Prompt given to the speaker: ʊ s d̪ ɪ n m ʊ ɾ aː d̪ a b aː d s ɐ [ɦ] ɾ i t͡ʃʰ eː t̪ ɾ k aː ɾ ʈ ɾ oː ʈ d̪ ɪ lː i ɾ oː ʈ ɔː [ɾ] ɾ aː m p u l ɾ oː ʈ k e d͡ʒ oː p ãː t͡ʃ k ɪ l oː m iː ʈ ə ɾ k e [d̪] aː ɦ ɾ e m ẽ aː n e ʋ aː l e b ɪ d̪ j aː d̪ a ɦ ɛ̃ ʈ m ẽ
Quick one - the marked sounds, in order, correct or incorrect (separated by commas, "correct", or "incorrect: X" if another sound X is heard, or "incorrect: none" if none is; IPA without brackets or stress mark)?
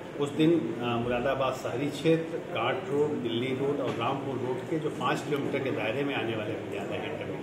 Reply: correct, correct, correct